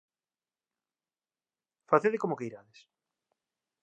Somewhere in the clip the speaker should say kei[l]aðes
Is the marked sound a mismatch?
yes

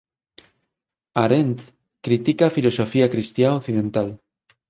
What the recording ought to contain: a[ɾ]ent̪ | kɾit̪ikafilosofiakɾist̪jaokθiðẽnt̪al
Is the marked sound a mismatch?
no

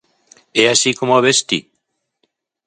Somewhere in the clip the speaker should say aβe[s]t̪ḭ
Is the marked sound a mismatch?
no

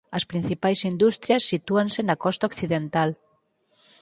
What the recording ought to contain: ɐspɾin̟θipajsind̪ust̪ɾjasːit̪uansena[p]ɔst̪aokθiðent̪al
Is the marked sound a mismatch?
yes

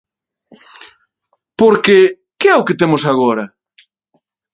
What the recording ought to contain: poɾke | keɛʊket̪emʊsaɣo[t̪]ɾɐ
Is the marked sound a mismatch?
yes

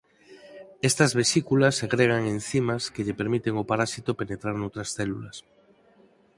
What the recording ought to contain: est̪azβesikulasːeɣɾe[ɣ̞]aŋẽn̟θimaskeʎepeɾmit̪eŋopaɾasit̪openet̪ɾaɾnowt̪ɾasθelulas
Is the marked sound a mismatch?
no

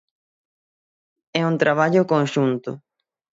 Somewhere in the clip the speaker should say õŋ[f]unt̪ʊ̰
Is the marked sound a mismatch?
yes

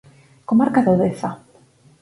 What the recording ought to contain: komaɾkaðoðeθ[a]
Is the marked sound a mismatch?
no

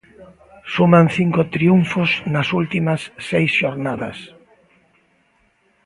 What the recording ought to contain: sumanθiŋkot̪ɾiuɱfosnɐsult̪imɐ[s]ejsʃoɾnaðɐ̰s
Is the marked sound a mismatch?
yes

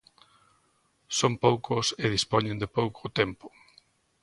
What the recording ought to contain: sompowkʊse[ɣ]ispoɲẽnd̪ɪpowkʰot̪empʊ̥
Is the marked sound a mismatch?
yes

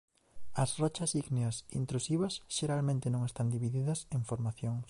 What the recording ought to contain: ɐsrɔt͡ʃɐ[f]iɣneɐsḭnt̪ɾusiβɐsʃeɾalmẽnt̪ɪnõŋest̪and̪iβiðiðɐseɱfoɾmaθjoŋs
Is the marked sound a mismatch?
yes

